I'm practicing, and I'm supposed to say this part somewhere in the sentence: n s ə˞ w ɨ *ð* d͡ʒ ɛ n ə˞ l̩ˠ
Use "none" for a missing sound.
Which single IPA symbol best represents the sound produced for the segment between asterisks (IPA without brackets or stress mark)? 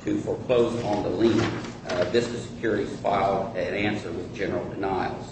ð